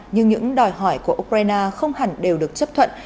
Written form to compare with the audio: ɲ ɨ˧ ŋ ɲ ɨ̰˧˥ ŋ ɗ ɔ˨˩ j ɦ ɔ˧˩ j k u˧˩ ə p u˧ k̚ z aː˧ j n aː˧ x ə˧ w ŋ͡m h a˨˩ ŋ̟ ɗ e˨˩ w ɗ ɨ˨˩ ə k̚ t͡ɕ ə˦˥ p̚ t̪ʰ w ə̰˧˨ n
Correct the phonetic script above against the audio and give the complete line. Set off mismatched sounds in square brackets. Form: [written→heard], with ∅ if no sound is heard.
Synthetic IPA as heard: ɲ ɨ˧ ŋ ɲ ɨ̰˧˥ ŋ ɗ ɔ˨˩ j ɦ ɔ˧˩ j k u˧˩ ə [p→ʔ] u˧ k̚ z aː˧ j n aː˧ x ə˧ w ŋ͡m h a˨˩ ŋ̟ ɗ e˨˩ w ɗ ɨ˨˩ ə k̚ t͡ɕ ə˦˥ p̚ t̪ʰ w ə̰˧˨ n